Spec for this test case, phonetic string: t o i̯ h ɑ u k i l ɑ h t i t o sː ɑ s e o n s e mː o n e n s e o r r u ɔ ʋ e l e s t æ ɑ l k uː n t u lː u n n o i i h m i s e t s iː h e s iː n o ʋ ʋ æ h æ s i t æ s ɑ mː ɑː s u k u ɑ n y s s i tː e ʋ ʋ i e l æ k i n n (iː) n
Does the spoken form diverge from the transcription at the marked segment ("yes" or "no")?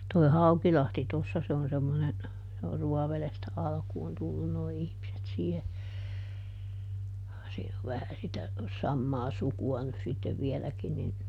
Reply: yes